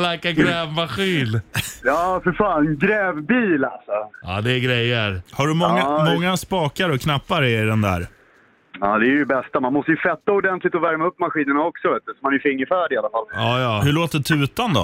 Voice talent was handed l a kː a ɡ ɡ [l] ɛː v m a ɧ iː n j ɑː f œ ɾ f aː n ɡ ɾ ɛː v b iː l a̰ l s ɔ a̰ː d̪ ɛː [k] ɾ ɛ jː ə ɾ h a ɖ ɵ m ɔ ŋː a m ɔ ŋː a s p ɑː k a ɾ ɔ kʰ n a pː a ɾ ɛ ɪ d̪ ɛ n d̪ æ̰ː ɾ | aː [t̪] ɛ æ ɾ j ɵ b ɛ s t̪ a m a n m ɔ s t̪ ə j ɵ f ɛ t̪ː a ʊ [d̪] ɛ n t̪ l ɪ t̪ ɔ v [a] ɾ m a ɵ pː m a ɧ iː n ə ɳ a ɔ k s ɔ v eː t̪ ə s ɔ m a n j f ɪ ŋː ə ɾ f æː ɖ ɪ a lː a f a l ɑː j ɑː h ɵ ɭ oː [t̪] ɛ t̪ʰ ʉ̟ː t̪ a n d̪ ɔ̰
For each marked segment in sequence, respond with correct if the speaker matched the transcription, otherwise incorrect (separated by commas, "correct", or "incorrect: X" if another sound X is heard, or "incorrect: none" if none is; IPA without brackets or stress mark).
incorrect: ɾ, incorrect: ɡ, incorrect: d̪, correct, incorrect: æ, correct